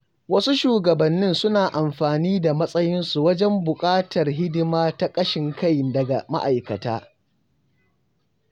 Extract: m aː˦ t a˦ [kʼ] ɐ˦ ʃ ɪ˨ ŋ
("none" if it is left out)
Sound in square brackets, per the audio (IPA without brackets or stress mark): kʼ